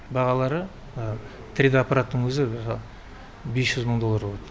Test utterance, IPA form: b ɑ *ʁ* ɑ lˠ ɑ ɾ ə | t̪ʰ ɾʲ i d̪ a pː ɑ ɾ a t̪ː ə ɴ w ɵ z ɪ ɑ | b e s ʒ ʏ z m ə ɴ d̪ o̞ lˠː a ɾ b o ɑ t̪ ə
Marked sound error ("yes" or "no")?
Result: no